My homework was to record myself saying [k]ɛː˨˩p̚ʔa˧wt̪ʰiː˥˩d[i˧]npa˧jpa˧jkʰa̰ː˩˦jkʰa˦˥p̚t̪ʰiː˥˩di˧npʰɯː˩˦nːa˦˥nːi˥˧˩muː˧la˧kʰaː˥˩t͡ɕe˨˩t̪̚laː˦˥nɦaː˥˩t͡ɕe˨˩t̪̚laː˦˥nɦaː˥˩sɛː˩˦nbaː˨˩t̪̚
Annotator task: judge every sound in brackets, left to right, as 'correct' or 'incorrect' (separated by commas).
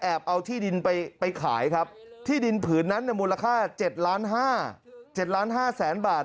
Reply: incorrect, correct